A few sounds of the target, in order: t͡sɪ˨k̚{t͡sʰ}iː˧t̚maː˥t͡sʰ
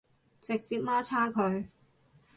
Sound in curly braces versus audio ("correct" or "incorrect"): incorrect